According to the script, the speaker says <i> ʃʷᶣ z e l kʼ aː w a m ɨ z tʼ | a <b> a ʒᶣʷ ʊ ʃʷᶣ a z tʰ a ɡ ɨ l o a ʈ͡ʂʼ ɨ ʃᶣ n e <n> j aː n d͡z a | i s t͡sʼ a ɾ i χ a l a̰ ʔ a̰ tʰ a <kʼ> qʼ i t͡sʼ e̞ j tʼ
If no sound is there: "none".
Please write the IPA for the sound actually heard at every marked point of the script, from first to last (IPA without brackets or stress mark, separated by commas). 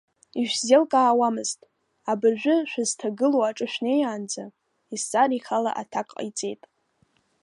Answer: i, b, none, kʼ